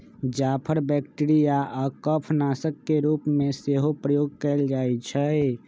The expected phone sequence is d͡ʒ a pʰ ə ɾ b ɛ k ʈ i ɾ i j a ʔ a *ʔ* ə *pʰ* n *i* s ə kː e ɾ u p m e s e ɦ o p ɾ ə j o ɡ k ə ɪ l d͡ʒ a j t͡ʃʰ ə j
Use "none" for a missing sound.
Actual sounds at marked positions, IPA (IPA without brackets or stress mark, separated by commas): k, pʰ, a